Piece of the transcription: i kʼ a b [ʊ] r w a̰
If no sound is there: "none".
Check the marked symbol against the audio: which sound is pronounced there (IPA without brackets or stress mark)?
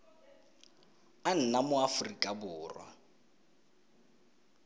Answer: ʊː